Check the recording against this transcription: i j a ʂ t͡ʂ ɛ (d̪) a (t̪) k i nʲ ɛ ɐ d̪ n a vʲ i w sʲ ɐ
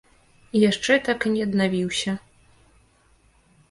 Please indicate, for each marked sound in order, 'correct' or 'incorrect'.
incorrect: t̪, incorrect: none

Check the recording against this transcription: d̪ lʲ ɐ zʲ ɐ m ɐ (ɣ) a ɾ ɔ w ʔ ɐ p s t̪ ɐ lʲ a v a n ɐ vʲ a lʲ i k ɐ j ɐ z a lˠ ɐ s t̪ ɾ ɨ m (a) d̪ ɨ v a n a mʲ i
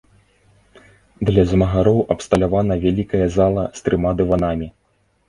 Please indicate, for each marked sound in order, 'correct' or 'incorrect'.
correct, correct

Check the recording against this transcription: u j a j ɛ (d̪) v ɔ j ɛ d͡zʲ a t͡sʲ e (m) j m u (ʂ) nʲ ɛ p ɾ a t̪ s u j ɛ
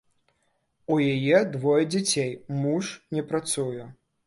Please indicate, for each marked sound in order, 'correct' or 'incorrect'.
correct, incorrect: none, correct

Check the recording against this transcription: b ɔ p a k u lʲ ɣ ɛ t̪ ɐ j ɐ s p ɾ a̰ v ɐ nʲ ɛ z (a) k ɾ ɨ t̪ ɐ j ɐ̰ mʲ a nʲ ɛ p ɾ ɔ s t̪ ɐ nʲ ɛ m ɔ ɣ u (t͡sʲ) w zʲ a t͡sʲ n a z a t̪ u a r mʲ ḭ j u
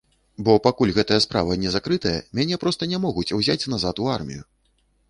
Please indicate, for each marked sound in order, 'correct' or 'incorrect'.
correct, correct

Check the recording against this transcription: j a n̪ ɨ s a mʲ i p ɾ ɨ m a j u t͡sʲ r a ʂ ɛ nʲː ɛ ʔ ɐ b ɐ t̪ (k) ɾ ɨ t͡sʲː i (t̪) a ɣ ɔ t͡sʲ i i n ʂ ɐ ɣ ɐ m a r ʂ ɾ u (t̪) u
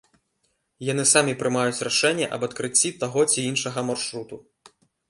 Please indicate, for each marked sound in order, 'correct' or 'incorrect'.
correct, correct, correct

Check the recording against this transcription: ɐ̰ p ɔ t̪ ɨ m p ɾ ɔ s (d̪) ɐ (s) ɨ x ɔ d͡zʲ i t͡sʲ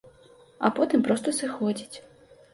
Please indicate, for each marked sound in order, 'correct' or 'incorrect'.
incorrect: t̪, correct

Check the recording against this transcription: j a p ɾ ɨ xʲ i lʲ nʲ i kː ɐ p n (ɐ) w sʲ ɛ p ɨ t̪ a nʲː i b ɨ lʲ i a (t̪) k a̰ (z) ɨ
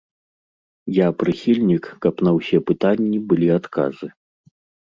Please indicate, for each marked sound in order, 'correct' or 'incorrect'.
correct, correct, correct

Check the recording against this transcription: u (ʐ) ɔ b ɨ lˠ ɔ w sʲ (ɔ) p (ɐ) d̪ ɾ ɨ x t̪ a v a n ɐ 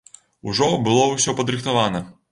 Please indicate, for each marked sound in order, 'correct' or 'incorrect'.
correct, correct, correct

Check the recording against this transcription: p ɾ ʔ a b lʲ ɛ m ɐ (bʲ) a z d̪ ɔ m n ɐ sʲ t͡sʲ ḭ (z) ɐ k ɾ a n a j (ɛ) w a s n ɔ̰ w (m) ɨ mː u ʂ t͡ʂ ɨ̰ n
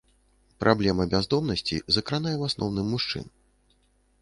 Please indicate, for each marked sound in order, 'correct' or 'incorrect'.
correct, correct, correct, incorrect: n

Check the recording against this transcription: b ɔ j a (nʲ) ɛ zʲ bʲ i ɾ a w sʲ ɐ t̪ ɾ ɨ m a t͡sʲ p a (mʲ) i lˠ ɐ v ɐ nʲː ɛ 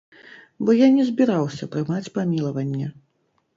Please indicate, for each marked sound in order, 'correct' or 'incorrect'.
correct, correct

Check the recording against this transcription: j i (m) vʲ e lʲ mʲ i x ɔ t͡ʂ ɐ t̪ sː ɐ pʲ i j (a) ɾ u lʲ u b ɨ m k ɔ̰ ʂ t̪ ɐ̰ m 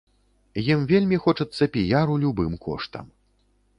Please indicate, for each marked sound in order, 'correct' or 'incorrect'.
correct, correct

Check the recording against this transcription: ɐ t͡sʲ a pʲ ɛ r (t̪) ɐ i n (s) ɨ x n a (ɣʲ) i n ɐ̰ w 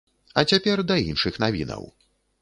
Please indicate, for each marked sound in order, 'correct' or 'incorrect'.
incorrect: d̪, incorrect: ʂ, incorrect: vʲ

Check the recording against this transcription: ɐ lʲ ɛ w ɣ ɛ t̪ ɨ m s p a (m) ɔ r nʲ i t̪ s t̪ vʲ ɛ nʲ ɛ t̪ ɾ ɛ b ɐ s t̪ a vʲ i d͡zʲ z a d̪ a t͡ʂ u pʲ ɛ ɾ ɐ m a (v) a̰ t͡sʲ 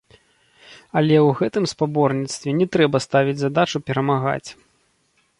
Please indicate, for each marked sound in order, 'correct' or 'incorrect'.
incorrect: b, incorrect: ɣ

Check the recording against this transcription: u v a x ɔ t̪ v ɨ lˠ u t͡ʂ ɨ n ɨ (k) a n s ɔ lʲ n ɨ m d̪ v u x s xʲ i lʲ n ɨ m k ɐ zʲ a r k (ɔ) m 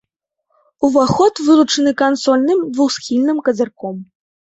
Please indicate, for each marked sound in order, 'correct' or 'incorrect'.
correct, correct

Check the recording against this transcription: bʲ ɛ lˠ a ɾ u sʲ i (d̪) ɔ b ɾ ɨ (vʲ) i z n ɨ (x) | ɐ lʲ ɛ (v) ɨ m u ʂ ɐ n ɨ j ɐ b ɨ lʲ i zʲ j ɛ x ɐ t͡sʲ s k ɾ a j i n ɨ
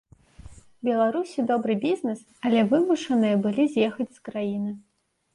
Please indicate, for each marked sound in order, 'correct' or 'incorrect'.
correct, incorrect: bʲ, incorrect: s, correct

